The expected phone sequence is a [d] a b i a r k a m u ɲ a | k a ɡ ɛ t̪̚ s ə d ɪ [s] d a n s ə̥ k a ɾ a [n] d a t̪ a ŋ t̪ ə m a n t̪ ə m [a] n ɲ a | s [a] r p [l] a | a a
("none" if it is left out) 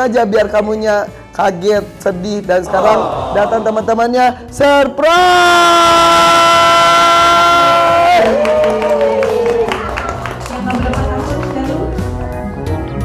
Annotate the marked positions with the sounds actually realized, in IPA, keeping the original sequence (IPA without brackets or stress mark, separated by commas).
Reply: d͡ʒ, h, ŋ, a, ə, ɾ